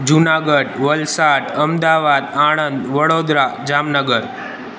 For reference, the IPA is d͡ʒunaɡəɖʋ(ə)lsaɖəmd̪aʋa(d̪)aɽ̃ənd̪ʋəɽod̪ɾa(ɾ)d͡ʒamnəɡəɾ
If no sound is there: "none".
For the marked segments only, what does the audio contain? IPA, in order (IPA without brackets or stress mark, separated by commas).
ə, d̪, none